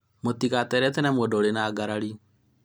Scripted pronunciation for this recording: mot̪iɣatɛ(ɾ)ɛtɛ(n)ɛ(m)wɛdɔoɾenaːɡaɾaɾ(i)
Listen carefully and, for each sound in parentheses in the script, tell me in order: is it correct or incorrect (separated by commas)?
correct, correct, correct, correct